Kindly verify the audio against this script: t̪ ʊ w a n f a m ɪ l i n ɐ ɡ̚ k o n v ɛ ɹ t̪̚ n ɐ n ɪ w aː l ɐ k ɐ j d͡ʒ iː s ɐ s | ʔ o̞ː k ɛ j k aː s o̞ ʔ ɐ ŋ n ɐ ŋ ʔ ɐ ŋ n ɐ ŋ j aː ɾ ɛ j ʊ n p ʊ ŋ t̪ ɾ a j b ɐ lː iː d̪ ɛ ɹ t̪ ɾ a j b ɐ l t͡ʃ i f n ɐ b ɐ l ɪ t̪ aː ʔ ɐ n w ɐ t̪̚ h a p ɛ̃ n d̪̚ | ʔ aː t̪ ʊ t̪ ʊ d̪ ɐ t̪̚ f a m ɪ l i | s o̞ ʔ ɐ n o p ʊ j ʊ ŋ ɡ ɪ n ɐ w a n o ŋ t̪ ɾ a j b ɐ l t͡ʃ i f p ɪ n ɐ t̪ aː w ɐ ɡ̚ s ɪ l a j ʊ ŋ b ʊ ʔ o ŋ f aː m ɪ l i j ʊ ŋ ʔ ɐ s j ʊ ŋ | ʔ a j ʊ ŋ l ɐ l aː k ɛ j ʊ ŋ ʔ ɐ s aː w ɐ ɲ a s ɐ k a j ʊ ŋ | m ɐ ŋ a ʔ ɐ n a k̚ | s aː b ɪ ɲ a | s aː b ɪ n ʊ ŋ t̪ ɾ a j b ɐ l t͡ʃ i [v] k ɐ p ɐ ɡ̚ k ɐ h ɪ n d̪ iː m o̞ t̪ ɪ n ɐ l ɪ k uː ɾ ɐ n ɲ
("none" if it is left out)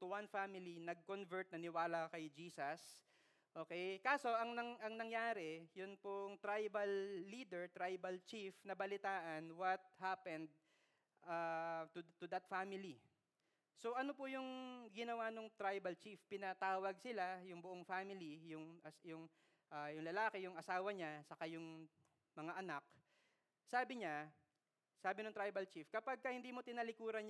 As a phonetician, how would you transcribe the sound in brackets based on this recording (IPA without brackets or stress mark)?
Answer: f